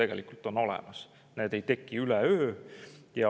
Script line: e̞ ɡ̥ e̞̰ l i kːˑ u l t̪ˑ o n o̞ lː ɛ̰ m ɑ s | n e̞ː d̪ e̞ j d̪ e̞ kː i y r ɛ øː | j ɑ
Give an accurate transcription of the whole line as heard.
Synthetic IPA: e̞ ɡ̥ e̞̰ l i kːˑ u l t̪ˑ o n o̞ l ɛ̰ m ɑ s | n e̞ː d̪ e̞ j t̪ e̞ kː i y l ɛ øː | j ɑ